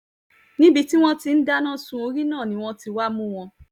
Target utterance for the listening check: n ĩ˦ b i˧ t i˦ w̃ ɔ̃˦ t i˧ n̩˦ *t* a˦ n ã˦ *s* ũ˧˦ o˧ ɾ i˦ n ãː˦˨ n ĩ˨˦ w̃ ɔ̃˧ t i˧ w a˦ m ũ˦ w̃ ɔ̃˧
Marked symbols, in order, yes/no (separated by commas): no, yes